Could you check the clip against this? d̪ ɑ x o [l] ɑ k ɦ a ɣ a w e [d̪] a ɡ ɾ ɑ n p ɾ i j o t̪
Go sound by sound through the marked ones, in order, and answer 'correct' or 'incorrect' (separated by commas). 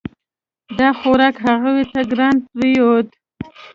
incorrect, incorrect